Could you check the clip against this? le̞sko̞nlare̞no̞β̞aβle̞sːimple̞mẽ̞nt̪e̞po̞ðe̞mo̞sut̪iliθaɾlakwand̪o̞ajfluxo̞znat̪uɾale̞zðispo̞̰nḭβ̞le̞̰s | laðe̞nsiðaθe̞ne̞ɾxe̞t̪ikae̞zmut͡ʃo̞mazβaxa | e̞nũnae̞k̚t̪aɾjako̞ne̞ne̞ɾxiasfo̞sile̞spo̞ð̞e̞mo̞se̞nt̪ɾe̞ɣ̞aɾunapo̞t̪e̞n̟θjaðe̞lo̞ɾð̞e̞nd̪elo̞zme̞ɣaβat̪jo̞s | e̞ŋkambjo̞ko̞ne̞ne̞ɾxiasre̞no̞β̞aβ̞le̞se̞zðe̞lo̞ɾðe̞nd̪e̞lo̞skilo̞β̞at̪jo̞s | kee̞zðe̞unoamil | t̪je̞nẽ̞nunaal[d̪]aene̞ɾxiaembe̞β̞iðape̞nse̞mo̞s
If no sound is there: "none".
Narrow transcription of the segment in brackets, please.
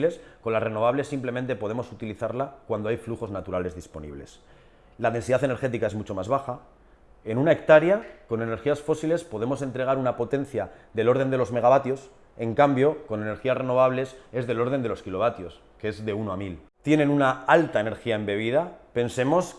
t̪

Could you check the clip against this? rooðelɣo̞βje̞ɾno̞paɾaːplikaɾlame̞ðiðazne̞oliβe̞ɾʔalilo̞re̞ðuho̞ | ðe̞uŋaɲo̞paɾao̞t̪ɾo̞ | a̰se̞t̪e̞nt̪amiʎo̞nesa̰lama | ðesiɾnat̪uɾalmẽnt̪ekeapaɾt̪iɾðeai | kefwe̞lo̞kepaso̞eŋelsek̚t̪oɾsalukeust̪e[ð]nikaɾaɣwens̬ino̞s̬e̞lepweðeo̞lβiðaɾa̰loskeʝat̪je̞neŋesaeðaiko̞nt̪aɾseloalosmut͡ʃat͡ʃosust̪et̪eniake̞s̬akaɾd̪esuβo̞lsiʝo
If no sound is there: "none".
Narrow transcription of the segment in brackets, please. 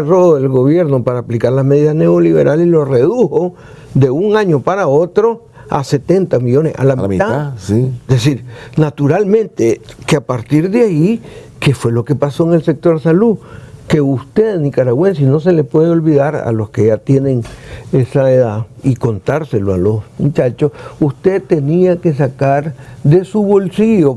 ð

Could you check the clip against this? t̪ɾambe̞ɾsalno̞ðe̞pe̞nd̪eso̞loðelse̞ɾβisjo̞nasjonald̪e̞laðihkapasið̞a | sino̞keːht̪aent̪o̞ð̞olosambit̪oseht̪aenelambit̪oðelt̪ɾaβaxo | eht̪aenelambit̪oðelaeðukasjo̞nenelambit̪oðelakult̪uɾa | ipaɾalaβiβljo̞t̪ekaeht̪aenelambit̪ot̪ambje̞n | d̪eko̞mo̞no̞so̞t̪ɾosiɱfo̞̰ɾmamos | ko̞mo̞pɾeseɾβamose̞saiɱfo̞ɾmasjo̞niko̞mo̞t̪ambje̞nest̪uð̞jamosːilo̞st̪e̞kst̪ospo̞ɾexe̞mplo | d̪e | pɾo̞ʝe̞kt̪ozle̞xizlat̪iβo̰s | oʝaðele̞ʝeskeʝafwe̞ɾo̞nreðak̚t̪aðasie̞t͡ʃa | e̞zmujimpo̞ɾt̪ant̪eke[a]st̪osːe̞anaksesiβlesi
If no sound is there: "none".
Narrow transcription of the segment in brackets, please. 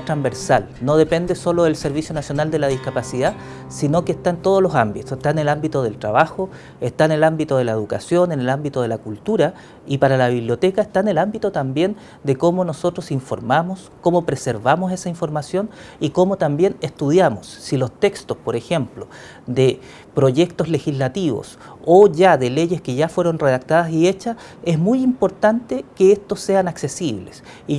e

